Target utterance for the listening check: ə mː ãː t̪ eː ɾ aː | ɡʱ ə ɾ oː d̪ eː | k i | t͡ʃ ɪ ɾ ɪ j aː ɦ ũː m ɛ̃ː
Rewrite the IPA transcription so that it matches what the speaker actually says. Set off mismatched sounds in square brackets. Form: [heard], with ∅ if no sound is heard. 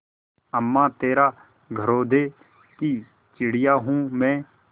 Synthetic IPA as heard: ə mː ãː t̪ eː ɾ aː | ɡʱ ə ɾ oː d̪ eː | k i | t͡ʃ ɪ [ɽ] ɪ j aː ɦ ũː m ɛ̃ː